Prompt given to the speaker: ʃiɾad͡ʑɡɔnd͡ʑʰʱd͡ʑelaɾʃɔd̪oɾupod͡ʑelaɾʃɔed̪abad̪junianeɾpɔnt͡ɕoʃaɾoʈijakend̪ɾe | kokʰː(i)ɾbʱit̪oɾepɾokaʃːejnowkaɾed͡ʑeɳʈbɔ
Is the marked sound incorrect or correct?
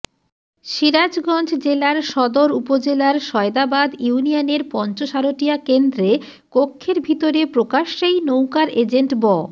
incorrect: e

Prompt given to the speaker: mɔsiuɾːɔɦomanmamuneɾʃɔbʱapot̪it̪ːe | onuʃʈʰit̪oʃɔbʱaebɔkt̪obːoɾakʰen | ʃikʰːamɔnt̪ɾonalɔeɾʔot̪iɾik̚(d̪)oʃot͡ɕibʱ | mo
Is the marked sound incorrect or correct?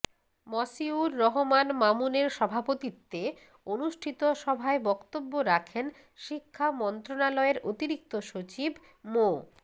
incorrect: t̪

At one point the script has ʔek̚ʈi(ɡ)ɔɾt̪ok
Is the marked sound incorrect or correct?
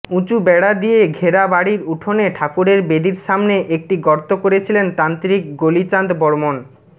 correct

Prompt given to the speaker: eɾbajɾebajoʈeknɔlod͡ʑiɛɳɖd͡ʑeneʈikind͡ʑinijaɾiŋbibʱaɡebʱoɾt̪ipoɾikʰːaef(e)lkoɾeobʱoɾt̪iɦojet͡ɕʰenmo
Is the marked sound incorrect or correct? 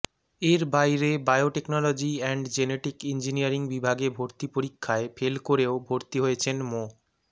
correct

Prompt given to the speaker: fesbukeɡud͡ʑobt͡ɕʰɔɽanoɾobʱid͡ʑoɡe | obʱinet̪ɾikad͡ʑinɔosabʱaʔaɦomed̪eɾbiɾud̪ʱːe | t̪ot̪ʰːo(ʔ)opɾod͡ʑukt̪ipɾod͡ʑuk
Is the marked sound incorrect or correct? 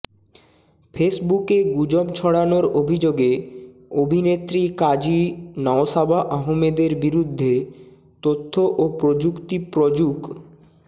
correct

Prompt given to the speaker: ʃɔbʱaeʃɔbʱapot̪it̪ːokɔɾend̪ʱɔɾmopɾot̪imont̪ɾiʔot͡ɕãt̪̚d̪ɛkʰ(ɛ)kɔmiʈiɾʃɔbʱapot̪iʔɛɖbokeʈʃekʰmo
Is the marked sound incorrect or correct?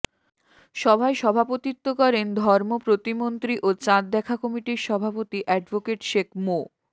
incorrect: a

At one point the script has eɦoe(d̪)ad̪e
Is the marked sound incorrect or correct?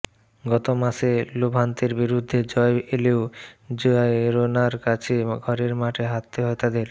incorrect: t̪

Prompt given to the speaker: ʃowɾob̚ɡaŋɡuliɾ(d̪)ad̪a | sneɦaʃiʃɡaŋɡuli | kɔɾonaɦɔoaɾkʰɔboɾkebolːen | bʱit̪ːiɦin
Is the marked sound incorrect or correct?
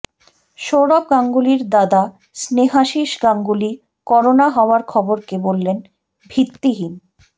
correct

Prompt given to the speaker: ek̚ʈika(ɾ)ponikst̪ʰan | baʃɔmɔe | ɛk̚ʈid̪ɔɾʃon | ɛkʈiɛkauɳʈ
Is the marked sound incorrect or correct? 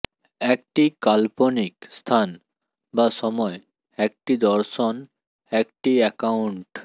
incorrect: l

